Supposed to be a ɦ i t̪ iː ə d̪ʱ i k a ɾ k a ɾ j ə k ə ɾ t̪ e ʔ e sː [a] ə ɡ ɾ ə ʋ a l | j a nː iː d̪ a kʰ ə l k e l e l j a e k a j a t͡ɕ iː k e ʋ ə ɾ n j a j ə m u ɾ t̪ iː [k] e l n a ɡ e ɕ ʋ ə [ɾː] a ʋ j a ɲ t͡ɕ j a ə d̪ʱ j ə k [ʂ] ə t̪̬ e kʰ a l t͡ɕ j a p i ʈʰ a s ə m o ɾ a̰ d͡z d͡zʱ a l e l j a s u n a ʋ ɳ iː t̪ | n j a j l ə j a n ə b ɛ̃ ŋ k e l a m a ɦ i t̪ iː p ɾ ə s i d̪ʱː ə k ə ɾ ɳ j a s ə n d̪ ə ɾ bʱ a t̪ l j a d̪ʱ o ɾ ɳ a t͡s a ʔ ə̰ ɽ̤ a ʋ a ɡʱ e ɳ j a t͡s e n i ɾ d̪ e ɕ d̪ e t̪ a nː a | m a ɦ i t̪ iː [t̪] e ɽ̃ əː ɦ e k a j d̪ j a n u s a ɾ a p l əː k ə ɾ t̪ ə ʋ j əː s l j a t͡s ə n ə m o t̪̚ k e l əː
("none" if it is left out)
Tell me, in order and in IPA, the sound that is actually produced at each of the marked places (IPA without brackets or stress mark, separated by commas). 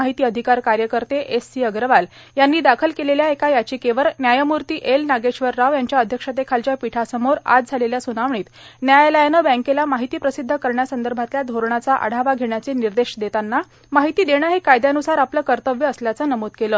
i, ʔ, ɾː, ʂ, d̪